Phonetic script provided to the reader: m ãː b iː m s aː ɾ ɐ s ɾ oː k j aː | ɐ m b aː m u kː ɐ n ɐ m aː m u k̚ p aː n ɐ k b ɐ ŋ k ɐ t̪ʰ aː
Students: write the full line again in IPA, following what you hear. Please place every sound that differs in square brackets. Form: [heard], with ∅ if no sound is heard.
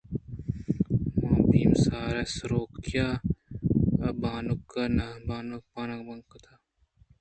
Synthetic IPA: m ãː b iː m s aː ɾ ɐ s ɾ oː k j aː | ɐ [∅] b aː [n] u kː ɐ n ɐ [b] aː [n] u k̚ p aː n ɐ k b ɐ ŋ k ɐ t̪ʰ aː